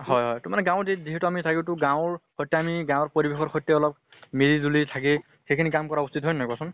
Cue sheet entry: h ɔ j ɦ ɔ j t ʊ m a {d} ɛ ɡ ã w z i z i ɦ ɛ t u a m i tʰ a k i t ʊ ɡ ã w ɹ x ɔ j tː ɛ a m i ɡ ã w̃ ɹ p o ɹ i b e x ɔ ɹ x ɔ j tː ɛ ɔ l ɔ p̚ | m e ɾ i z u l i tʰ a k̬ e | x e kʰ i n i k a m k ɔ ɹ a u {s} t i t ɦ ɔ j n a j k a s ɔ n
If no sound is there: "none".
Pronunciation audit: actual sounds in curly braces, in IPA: n, s

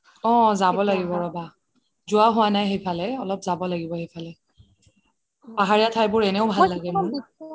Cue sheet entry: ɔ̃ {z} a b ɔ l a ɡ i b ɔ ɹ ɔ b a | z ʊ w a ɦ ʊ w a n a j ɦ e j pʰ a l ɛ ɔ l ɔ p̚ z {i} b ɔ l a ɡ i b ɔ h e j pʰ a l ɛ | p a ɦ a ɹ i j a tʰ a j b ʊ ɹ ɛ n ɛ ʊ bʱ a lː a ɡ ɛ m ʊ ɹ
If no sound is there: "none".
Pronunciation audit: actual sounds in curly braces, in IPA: z, a

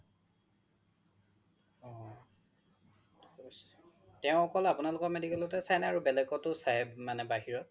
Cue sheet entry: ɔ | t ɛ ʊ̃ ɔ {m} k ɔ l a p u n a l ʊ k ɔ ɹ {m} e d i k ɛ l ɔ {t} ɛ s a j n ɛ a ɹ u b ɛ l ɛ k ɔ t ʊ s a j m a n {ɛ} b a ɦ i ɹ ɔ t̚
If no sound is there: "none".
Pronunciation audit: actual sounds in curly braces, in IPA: none, m, t, ɛ

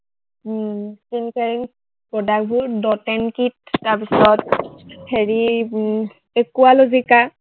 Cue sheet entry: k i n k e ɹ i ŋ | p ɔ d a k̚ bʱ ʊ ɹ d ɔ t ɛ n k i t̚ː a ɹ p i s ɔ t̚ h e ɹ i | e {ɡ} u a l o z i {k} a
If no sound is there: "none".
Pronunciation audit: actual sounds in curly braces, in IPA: k, k

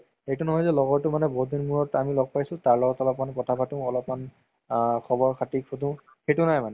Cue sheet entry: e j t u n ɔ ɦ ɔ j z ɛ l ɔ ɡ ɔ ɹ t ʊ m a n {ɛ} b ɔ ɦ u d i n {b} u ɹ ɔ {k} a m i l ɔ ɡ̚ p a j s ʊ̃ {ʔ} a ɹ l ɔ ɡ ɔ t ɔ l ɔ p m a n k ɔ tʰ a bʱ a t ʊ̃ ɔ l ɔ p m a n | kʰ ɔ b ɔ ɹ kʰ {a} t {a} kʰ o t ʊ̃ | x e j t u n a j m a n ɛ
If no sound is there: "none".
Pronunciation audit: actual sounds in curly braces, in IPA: ɛ, m, t, t, a, i

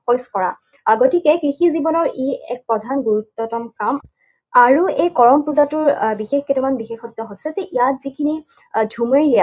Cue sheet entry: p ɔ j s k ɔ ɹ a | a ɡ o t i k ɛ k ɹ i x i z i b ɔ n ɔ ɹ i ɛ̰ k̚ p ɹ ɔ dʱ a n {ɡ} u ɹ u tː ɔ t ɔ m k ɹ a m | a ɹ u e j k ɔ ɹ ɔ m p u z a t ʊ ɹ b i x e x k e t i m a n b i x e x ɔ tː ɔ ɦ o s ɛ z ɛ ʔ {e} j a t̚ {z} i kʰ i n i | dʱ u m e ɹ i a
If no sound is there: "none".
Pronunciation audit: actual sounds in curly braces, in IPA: ɡ, i, z

